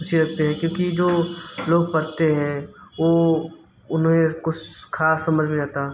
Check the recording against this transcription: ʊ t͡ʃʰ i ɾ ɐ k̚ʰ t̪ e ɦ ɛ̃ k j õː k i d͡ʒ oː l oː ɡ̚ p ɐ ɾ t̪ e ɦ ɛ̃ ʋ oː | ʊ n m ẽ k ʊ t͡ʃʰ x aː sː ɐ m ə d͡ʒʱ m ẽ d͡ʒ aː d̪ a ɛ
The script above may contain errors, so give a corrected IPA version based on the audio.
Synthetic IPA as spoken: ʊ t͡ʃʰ i ɾ ɐ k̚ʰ t̪ e ɦ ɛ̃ k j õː k i d͡ʒ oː l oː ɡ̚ p ɐ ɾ t̪ e ɦ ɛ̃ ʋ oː | ʊ n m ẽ k ʊ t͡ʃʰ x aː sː ɐ m ə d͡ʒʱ m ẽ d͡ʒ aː t̪ a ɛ

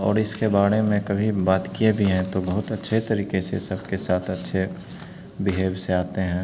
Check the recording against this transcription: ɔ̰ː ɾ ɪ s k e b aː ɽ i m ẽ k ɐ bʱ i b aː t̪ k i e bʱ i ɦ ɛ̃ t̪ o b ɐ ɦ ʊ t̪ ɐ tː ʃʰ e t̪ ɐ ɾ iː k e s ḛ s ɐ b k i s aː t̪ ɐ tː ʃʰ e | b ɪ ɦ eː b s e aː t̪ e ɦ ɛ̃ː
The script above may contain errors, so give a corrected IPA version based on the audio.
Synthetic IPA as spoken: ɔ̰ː ɾ ɪ s k e b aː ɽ e m ẽ k ɐ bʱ i b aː t̪ k i e bʱ i ɦ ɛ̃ t̪ o b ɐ ɦ ʊ t̪ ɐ tː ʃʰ e t̪ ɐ ɾ iː k e s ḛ s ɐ b k e s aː t̪ʰ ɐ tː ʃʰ e | b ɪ ɦ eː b s e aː t̪ e ɦ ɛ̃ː

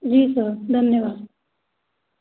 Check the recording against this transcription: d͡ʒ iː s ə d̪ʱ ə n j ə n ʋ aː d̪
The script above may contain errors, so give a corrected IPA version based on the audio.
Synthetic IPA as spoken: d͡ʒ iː s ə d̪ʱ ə n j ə ʋ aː d̪

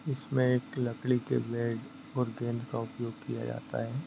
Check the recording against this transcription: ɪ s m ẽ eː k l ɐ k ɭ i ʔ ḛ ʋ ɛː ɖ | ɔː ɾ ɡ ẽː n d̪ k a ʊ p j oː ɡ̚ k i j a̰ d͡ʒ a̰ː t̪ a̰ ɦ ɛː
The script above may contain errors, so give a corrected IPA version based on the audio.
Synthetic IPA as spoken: ɪ s m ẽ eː k l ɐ k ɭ i k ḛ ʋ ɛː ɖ | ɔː ɾ ɡ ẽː n d̪ k a ʊ p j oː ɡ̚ k i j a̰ d͡ʒ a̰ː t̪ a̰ ɦ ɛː

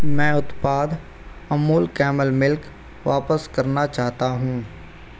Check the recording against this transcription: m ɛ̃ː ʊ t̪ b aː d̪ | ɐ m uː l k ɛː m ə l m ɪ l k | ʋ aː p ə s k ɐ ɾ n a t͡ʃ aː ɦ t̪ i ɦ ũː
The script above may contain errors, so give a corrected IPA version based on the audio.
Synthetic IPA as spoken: m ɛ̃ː ʊ t̪ p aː d̪ | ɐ m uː l k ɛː m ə l m ɪ l k | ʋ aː p ə s k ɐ ɾ n a t͡ʃ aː ɦ t̪ a ɦ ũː

